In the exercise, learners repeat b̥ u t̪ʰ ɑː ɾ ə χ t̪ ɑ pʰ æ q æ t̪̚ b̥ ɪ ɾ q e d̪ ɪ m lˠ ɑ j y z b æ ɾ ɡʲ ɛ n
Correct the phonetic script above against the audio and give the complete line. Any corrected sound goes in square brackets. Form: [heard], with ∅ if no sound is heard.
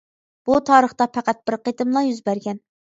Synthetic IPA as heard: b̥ u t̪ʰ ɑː ɾ ə χ t̪ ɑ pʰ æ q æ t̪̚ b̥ ɪ ɾ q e [t̪] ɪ m lˠ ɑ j y z b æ ɾ ɡʲ ɛ n